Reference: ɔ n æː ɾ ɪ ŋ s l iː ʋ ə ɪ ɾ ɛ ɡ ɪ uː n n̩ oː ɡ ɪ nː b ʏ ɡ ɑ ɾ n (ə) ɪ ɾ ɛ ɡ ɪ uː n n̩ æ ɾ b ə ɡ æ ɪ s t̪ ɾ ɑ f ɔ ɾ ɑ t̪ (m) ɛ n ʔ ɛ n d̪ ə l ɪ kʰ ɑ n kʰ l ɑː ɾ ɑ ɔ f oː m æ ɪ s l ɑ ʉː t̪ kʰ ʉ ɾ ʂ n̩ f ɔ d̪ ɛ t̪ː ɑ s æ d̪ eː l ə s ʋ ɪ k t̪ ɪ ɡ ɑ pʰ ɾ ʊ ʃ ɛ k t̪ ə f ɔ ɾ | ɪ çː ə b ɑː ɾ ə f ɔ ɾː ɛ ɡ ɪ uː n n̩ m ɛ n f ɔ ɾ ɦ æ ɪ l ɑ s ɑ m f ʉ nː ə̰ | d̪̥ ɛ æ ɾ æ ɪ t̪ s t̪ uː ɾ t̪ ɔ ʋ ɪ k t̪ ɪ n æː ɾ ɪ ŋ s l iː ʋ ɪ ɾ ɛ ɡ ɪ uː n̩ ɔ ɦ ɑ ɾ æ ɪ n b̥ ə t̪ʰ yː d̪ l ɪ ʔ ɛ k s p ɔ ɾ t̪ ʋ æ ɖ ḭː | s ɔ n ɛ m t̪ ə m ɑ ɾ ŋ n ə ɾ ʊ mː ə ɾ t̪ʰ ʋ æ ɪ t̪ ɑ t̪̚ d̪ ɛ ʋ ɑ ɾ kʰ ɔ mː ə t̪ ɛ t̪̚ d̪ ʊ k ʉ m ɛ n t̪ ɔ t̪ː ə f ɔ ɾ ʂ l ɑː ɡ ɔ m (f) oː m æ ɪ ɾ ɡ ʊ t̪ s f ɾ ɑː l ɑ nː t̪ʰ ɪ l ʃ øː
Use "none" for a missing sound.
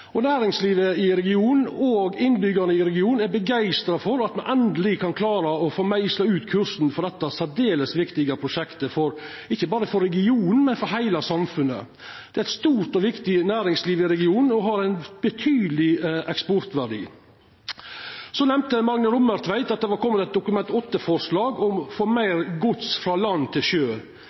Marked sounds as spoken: ə, m, f

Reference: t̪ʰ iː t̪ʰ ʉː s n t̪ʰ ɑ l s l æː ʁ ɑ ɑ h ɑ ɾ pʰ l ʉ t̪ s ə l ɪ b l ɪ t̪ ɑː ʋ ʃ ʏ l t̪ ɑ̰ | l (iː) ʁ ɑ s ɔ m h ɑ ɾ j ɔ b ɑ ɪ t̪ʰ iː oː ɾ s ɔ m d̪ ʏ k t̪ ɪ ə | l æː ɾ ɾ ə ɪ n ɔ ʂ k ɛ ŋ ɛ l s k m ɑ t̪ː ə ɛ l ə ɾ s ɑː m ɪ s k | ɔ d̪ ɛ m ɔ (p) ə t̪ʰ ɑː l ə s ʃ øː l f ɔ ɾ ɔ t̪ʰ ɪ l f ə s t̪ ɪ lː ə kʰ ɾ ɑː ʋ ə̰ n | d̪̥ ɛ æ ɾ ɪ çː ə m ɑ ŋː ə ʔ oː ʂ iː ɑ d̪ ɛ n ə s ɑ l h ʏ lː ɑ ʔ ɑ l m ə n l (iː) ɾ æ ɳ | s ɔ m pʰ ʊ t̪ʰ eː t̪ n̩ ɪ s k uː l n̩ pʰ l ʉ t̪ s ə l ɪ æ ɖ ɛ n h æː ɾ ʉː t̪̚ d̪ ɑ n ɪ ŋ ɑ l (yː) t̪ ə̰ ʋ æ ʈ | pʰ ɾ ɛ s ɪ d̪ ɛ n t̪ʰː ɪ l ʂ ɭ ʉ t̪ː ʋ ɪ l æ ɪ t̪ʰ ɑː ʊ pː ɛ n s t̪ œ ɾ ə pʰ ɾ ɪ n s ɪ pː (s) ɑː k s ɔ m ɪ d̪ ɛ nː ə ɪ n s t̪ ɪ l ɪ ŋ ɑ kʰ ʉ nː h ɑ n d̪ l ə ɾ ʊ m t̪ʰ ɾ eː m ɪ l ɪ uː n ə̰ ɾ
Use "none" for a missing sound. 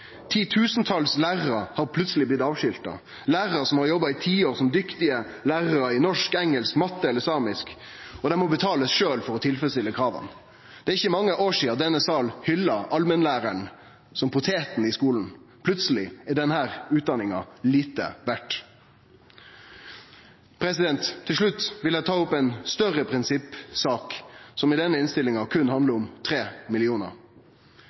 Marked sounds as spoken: æː, b, æː, iː, s

